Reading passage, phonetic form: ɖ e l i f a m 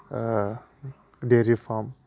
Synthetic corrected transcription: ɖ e ɾ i f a m